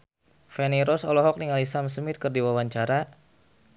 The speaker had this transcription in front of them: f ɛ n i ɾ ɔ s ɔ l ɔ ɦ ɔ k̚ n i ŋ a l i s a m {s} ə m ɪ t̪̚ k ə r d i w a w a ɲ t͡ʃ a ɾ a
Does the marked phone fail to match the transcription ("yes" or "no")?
no